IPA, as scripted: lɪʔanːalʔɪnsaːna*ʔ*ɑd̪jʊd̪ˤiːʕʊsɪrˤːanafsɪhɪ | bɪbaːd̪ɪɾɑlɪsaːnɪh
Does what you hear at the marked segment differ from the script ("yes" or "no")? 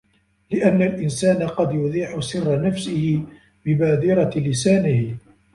yes